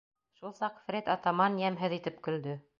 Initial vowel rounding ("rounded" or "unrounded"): rounded